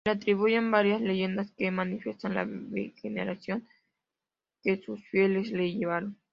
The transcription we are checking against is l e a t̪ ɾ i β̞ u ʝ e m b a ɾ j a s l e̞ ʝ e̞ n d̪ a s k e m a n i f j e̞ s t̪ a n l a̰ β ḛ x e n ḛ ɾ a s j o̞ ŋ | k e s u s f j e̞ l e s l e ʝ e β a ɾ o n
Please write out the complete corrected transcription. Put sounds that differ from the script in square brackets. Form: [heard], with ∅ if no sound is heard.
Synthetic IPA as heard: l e a t̪ ɾ i β̞ u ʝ e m b a ɾ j a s l e̞ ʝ e̞ n d̪ a s k e m a n i f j e̞ s t̪ a n l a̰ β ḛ x e n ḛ ɾ a s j o̞ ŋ | k e s u s f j e̞ l e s l e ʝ e β a ɾ o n